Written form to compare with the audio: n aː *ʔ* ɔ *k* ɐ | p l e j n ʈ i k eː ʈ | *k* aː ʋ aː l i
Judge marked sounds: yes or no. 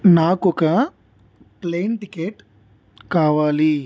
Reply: no, yes, yes

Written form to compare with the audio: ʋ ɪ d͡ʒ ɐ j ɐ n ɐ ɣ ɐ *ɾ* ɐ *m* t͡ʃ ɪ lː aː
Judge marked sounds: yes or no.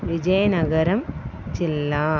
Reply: yes, yes

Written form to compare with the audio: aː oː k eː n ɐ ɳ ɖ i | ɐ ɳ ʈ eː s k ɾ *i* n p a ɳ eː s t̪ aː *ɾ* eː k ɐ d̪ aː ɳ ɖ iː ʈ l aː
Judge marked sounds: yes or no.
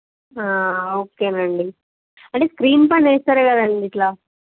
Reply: no, yes

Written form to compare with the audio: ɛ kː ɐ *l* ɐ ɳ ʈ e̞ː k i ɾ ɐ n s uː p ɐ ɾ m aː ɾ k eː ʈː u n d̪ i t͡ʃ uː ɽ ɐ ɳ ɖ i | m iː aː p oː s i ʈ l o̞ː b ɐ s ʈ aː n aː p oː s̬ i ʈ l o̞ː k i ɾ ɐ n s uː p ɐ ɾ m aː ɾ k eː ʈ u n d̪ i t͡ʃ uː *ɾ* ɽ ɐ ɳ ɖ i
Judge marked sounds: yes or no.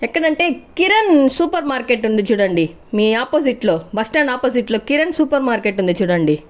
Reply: no, no

